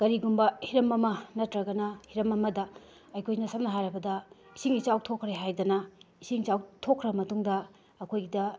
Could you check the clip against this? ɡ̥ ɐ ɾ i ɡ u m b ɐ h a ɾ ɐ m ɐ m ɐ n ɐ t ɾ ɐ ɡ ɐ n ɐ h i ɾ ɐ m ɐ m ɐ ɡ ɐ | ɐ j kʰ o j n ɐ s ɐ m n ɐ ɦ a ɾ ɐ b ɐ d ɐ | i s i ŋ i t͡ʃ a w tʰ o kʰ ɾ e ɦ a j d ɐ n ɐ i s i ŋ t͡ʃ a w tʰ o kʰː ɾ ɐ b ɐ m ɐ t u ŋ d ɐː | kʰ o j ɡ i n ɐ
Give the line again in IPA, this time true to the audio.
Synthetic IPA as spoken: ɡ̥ ɐ ɾ i ɡ u m b ɐ h i ɾ ɐ m ɐ m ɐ n ɐ t ɾ ɐ ɡ ɐ n ɐ h i ɾ ɐ m ɐ m ɐ d ɐ | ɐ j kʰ o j n ɐ s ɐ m n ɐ ɦ a ɾ ɐ b ɐ d ɐ | i s i ŋ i t͡ʃ a w tʰ o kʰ ɾ e ɦ a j d ɐ n ɐ i s i ŋ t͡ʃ a w tʰ o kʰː ɾ ɐ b ɐ m ɐ t u ŋ d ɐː | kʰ o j ɡ i d ɐ